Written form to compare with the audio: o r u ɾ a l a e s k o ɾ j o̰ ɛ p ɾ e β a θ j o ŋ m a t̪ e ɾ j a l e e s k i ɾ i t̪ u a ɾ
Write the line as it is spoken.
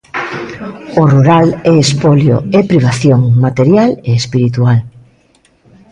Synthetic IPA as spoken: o r u ɾ a l ɛ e s p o l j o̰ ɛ p ɾ i β a θ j o ŋ m a t̪ e ɾ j a l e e s p i ɾ i t̪ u a l